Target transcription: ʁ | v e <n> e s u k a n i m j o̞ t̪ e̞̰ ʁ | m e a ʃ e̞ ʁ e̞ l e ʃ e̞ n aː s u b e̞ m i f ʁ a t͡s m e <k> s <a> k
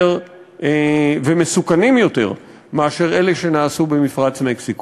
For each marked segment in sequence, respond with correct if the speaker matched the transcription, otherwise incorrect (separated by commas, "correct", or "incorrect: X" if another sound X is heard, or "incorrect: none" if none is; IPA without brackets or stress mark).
incorrect: m, correct, incorrect: i